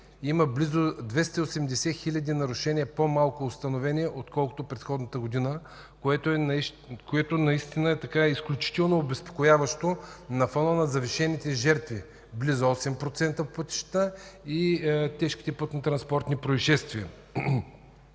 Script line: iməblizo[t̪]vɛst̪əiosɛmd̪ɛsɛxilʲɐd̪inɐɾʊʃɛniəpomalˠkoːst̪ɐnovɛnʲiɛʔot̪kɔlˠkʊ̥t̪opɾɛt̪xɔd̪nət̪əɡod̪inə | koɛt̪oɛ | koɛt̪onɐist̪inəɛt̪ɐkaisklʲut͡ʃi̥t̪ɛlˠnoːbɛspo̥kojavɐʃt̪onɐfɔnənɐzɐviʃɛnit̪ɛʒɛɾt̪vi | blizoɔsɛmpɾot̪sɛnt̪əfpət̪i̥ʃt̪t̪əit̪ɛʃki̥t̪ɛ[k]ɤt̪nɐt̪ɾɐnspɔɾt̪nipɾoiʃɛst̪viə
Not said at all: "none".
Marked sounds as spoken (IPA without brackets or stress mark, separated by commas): d̪, p